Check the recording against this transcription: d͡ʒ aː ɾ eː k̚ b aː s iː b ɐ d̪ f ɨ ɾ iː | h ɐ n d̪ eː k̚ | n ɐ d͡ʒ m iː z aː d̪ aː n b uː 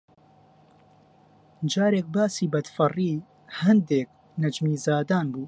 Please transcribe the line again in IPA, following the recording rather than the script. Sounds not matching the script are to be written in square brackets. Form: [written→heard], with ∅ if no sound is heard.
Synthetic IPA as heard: d͡ʒ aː ɾ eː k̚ b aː s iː b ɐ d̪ f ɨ [ɾ→r] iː | h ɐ n d̪ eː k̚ | n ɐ d͡ʒ m iː z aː d̪ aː n b uː